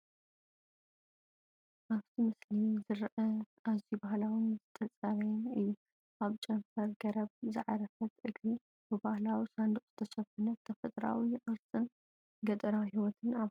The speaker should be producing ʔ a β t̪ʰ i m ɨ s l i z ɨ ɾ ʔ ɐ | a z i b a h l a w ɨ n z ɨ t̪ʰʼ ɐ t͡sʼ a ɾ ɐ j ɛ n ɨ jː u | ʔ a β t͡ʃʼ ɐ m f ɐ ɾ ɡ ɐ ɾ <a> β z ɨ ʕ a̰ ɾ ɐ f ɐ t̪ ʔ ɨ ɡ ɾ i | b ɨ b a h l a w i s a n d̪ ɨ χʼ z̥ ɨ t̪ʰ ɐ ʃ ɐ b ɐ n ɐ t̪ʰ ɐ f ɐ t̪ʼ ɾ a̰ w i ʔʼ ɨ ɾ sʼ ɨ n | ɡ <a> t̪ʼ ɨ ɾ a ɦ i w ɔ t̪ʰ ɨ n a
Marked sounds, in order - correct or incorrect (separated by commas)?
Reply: incorrect, incorrect